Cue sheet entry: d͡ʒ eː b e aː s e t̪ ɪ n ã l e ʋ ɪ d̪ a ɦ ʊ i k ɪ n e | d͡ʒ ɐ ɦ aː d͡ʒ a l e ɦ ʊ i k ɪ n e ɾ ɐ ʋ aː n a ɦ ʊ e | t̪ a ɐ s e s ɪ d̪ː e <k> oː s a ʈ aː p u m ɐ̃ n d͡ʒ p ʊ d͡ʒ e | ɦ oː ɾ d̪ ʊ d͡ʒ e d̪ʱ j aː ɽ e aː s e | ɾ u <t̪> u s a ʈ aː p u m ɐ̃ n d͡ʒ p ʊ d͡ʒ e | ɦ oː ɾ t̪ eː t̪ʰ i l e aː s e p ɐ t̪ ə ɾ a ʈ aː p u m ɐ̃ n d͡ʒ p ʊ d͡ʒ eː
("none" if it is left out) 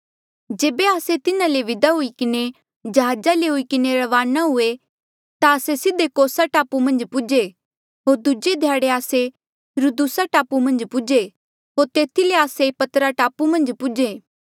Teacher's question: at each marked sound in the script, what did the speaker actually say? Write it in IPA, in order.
k, d̪

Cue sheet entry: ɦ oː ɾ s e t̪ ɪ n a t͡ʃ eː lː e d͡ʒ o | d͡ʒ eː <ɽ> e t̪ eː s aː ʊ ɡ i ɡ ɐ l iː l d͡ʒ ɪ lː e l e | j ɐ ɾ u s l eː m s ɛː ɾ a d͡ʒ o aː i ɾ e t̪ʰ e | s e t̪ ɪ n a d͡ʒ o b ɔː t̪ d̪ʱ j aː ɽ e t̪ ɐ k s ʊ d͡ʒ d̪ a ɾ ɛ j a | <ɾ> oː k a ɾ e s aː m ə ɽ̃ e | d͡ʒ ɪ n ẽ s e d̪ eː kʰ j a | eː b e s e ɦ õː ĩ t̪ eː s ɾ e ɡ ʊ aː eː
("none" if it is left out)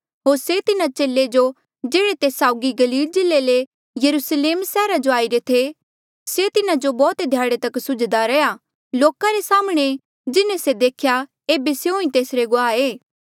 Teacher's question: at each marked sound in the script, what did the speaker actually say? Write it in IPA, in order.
ɽ, l

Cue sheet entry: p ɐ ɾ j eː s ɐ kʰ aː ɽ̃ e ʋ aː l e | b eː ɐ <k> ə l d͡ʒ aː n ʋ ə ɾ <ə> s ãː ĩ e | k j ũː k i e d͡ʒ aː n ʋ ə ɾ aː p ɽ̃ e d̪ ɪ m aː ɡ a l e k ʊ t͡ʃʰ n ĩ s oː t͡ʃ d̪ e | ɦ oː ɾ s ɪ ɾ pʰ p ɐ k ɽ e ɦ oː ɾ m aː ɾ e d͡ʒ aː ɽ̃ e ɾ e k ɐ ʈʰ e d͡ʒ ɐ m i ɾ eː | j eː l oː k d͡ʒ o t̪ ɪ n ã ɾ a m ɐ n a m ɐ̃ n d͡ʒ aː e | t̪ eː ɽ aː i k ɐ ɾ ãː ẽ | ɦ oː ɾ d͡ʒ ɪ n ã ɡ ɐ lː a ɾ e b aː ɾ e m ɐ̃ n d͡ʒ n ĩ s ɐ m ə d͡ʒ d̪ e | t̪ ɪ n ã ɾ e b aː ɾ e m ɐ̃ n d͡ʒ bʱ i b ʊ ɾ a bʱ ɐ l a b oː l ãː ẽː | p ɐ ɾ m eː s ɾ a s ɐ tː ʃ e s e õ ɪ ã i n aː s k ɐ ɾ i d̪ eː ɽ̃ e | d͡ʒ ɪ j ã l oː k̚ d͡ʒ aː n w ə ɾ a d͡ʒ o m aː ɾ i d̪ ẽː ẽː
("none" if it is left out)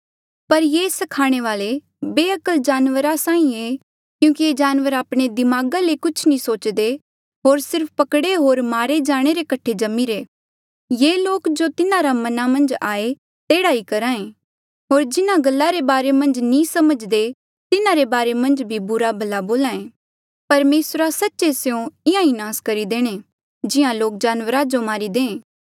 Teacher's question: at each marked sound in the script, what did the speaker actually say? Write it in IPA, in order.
k, a

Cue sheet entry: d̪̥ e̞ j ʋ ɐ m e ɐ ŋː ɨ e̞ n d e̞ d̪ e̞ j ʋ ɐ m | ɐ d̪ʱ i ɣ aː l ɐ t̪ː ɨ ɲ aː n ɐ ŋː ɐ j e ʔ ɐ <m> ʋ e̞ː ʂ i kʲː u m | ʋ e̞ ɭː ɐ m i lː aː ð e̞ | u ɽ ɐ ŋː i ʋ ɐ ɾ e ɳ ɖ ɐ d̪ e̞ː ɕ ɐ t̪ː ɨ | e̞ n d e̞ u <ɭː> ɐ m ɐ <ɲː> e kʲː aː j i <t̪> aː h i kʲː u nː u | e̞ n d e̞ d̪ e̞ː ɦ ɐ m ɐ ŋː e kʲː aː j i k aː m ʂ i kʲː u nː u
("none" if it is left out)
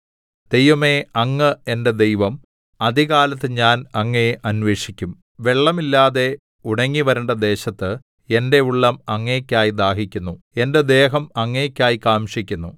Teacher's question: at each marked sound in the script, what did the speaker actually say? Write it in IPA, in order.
n, ɭː, ŋː, d̪

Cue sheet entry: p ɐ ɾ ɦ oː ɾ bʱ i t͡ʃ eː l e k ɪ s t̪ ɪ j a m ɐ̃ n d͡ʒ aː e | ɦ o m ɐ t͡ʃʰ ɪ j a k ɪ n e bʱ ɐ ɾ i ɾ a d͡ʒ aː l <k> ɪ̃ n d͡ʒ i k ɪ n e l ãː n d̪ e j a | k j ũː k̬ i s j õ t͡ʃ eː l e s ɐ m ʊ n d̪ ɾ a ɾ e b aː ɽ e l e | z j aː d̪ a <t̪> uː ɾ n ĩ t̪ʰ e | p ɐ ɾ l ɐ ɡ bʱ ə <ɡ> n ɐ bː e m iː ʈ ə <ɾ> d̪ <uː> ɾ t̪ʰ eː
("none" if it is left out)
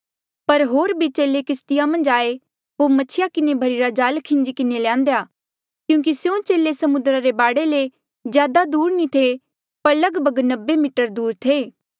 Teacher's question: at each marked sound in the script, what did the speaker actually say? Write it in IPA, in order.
kʰ, d̪, ɡ, ɾ, uː

